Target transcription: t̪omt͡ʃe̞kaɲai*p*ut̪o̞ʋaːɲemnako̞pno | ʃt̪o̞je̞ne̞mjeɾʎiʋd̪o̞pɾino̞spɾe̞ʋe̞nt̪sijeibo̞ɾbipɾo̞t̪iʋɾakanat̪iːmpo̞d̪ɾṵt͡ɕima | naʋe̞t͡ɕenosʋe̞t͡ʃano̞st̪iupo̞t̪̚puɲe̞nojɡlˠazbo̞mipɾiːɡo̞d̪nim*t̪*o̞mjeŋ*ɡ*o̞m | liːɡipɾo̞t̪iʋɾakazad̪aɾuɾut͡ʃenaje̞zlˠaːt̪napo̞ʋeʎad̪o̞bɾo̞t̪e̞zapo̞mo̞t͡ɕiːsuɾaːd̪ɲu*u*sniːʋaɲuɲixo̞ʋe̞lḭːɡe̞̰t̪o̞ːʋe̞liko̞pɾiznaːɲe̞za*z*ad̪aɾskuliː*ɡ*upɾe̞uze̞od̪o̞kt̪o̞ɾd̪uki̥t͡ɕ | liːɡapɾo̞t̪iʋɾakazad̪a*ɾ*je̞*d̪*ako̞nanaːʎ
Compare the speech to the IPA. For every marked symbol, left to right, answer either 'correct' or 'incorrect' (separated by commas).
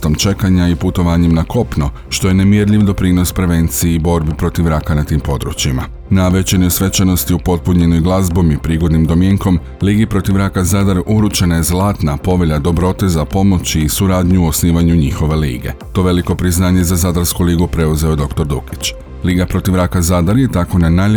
correct, incorrect, incorrect, incorrect, correct, correct, correct, incorrect